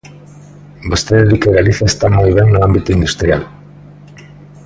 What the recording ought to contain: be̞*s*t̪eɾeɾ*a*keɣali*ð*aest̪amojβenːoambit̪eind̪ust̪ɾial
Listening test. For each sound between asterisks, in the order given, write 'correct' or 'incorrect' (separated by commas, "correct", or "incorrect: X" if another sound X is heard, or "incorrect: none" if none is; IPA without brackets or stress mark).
correct, incorrect: i, incorrect: θ